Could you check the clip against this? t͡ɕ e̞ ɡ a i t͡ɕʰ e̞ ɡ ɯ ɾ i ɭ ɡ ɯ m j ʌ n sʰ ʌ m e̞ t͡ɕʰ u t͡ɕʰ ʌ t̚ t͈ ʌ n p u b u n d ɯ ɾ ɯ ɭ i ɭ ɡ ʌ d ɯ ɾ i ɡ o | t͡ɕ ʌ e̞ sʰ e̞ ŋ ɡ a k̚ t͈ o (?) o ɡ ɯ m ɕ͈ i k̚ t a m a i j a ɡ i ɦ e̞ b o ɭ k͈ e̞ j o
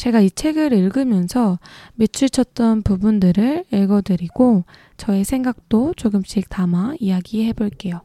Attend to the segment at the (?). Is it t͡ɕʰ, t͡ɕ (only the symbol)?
t͡ɕ